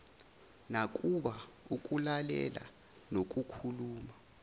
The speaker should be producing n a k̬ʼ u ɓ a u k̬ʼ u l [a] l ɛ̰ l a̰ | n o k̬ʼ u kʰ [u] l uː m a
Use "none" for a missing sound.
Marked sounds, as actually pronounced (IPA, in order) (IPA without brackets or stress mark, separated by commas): a, u